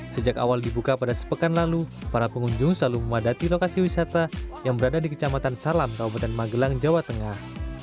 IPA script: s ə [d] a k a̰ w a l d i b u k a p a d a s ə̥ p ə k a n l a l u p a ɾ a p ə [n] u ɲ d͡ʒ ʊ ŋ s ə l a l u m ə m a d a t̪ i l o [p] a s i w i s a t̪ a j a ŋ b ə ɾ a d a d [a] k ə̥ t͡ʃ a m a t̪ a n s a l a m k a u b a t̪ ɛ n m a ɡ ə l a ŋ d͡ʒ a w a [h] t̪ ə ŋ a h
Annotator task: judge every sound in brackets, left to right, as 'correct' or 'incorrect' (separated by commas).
incorrect, incorrect, incorrect, incorrect, incorrect